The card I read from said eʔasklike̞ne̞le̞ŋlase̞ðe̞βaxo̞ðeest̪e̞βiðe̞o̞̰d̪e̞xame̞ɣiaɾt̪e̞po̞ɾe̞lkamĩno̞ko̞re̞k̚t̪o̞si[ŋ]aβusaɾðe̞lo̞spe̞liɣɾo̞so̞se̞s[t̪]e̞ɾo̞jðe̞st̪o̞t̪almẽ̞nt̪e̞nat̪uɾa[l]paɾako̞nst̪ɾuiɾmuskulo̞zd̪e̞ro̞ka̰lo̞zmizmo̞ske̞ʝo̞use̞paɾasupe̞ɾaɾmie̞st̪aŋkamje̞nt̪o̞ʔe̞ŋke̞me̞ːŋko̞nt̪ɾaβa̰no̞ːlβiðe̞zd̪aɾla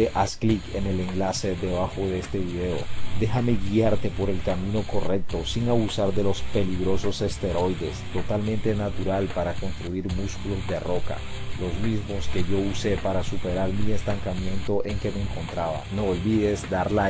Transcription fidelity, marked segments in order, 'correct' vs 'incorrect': correct, correct, correct

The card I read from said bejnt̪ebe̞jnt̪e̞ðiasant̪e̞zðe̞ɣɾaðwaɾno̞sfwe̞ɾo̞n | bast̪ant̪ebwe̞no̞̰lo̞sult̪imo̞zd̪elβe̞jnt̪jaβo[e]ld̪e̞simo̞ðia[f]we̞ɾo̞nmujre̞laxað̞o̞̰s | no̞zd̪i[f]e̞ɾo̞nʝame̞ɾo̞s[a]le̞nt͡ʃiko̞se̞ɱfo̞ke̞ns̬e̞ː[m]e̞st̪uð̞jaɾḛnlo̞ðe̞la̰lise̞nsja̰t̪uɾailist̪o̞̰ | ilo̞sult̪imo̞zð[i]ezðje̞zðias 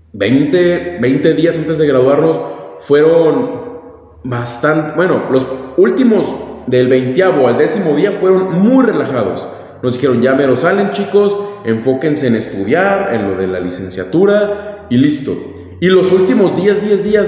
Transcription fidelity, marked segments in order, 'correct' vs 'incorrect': incorrect: a, correct, incorrect: x, correct, incorrect: n, incorrect: j

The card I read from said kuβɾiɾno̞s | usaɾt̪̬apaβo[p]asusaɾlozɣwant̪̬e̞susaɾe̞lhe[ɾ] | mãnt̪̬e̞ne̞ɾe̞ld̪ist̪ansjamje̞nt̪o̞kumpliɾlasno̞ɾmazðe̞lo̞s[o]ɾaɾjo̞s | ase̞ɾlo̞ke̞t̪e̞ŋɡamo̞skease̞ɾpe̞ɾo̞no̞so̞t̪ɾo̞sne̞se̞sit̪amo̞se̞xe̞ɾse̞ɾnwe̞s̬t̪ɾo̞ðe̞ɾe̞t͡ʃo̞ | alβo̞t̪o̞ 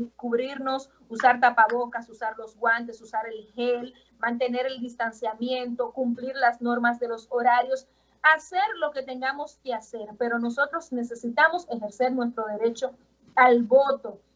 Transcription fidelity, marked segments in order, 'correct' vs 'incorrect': incorrect: k, incorrect: l, correct

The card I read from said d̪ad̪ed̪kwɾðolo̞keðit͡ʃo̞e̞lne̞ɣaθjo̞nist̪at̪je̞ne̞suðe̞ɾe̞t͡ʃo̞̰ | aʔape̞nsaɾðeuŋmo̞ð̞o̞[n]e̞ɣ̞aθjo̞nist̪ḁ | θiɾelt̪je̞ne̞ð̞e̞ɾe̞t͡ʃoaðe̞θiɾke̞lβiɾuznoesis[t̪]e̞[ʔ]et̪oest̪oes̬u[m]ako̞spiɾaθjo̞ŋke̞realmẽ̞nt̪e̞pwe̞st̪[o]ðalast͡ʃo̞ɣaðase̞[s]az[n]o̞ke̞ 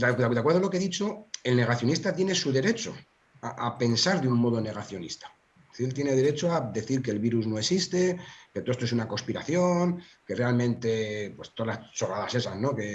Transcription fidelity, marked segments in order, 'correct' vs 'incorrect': correct, correct, incorrect: k, incorrect: n, correct, correct, correct

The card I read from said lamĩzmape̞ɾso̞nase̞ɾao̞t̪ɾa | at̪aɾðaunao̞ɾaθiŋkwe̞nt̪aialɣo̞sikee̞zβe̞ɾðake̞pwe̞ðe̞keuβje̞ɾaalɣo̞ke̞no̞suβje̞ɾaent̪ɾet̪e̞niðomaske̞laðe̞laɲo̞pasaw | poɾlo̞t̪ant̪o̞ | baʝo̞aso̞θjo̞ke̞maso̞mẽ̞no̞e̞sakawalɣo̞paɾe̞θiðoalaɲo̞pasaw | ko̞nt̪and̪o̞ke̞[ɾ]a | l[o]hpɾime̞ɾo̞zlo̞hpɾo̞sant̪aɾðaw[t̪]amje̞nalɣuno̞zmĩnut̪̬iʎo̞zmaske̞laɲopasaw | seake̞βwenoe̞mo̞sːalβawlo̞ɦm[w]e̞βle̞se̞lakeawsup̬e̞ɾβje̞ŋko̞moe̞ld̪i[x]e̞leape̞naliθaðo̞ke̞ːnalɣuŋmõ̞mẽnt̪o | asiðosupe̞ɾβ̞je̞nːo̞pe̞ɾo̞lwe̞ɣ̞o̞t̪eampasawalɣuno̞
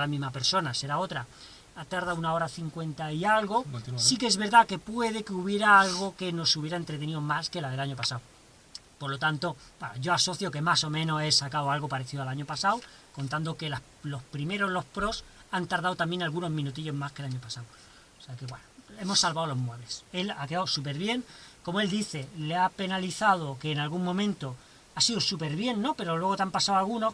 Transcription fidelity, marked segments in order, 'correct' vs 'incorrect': incorrect: l, correct, correct, correct, incorrect: θ

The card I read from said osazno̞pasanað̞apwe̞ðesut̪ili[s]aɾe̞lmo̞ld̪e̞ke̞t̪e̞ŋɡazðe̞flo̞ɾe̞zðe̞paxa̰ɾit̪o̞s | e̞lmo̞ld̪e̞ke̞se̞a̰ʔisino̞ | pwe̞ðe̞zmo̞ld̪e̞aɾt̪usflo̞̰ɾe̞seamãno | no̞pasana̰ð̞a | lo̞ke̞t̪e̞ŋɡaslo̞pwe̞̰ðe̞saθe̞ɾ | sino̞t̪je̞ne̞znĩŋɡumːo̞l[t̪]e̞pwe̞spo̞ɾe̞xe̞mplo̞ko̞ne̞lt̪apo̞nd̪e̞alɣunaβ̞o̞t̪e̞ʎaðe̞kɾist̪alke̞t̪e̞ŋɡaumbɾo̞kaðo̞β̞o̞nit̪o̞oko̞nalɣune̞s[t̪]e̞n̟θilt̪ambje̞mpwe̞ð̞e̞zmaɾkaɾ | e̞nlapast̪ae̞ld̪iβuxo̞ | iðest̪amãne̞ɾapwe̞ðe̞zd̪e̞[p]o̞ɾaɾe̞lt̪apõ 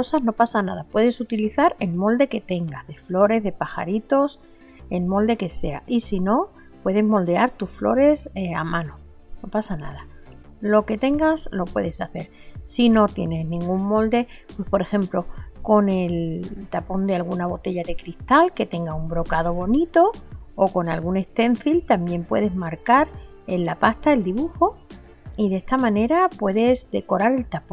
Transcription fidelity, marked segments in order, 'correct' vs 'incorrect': incorrect: θ, incorrect: d̪, correct, incorrect: k

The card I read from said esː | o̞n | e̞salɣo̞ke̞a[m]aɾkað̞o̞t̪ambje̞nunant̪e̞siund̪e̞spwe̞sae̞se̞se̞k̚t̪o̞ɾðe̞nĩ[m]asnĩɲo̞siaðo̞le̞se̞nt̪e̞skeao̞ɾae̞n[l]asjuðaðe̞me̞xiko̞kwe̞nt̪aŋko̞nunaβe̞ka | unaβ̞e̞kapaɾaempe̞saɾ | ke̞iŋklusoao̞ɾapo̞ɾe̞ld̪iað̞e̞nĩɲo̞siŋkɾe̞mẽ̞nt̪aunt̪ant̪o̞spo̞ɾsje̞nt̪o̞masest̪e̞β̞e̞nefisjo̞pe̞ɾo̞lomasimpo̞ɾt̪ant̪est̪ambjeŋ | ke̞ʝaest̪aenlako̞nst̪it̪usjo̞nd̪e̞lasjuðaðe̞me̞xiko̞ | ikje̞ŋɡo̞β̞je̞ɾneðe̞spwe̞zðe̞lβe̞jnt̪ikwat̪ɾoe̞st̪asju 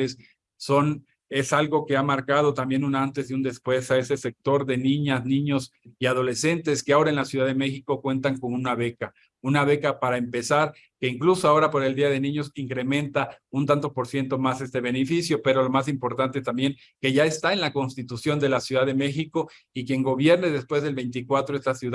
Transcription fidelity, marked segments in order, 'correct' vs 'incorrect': correct, incorrect: ɲ, correct

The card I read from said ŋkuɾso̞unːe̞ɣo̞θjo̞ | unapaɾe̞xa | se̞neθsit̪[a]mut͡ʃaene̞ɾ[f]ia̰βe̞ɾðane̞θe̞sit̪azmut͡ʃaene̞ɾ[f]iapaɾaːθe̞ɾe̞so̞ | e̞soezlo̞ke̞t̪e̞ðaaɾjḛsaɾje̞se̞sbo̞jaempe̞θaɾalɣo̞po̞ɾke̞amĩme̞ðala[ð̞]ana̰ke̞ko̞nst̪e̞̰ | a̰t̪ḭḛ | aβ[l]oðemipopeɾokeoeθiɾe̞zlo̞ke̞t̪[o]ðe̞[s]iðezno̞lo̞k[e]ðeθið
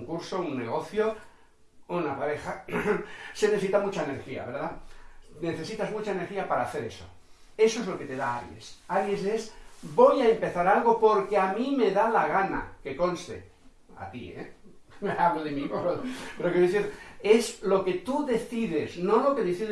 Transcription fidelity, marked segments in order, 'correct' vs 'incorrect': correct, incorrect: x, incorrect: x, incorrect: ɣ̞, correct, incorrect: u, incorrect: θ, correct

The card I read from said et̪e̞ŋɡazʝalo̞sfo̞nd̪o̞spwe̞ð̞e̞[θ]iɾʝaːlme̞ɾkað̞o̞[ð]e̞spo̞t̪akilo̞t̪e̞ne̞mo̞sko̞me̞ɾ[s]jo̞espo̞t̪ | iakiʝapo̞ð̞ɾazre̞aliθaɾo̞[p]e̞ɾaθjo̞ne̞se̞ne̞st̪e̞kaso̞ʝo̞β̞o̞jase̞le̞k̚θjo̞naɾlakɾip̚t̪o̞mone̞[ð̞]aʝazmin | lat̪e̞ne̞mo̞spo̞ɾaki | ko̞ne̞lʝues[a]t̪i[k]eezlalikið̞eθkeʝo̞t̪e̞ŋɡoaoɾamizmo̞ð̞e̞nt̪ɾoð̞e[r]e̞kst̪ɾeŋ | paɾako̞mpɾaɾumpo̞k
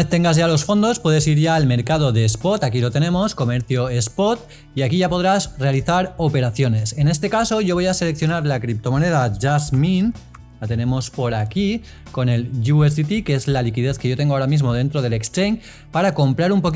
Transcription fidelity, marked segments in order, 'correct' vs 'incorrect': incorrect: s, correct, incorrect: θ, correct, correct, incorrect: i, correct, incorrect: l

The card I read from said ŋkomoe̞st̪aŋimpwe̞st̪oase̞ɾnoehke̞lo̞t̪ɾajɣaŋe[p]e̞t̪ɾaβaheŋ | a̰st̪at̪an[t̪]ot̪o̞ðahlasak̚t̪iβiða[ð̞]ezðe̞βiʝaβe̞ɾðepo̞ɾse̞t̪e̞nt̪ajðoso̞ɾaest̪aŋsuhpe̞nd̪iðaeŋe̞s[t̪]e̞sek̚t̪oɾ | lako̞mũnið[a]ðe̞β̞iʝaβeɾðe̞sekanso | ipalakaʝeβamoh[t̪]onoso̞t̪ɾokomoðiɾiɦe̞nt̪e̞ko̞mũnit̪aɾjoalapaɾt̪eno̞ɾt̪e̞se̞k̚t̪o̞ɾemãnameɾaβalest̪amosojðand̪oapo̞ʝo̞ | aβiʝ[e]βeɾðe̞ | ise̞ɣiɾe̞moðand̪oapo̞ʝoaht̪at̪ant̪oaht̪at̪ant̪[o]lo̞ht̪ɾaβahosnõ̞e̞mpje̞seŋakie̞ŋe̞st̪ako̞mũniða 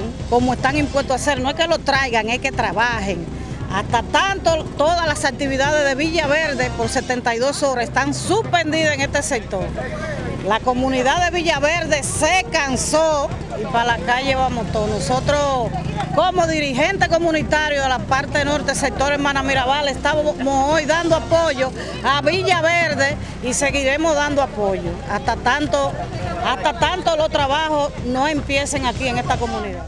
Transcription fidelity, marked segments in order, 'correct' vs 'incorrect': incorrect: k, correct, correct, correct, correct, correct, incorrect: a, correct

